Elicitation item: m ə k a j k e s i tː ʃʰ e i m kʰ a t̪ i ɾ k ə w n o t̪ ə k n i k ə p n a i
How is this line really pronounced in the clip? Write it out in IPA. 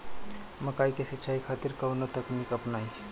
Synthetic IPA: m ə k a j k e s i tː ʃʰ a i kʰ a t̪ i ɾ k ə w n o t̪ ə k n i k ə p n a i